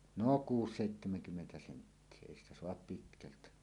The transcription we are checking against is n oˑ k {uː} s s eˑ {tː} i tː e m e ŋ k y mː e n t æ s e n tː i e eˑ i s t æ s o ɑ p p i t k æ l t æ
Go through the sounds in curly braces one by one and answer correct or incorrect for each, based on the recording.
correct, incorrect

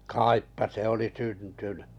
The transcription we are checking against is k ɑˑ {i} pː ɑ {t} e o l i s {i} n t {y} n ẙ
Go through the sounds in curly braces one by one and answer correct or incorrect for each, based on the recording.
correct, incorrect, incorrect, correct

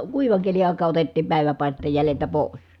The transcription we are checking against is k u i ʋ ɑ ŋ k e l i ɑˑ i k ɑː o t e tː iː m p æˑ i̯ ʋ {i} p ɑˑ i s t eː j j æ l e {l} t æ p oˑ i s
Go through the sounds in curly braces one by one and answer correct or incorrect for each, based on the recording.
incorrect, correct

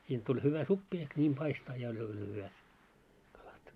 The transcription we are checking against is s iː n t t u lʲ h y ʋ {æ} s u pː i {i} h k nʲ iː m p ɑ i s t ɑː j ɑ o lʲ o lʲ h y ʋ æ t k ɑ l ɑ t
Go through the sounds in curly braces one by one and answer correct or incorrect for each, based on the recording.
correct, incorrect

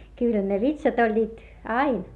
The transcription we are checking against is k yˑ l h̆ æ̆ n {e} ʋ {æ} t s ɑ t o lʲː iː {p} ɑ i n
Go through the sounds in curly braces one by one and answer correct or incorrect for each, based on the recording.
correct, incorrect, incorrect

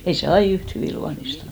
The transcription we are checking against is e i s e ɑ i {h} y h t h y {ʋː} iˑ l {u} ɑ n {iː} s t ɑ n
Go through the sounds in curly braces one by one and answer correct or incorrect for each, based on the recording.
incorrect, incorrect, correct, incorrect

